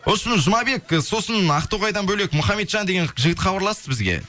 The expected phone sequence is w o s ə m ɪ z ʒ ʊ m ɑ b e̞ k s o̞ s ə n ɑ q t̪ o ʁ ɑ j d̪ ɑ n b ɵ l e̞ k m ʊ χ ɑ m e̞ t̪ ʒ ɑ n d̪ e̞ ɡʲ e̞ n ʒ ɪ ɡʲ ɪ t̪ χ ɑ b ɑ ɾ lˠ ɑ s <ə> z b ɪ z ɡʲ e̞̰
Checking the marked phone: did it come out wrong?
no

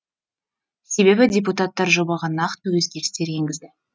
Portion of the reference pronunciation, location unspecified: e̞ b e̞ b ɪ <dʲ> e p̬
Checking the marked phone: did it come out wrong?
no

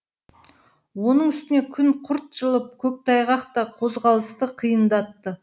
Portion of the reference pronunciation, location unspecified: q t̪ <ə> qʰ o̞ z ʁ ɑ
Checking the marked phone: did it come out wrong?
yes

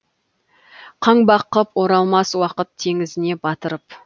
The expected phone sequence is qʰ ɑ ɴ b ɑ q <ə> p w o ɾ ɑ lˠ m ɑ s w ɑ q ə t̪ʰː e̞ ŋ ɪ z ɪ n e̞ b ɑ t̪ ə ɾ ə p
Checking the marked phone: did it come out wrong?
no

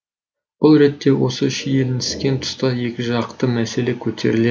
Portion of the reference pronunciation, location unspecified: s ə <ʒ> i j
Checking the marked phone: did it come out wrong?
yes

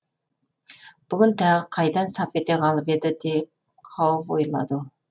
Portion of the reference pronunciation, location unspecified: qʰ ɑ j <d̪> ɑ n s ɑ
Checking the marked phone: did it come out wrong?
no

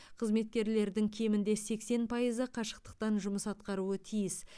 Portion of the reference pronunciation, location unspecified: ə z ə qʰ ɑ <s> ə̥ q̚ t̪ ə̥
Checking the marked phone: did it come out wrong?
yes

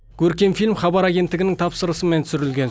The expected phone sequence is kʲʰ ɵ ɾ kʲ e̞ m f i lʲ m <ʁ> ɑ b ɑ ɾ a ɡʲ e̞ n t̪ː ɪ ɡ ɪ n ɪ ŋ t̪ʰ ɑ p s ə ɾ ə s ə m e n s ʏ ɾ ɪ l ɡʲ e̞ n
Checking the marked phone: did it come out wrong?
yes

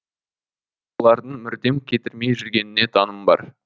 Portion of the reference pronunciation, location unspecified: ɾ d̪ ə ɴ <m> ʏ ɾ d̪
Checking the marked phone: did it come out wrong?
no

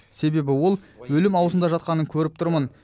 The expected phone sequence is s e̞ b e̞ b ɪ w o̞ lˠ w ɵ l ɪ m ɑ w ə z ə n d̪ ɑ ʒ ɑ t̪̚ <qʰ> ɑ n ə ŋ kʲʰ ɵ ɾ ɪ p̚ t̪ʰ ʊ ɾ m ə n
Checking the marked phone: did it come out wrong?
yes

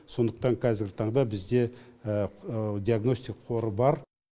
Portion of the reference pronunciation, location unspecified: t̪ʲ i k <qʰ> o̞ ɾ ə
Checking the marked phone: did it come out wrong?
no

